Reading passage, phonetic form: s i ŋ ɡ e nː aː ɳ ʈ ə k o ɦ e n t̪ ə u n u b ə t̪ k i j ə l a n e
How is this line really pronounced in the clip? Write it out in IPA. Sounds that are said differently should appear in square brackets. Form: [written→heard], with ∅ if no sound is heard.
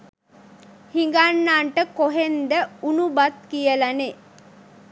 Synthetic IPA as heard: [s→h] i ŋ ɡ [e→a] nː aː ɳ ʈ ə k o ɦ e n [t̪→d̪] ə u n u b [ə→a] t̪ k i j ə l a n e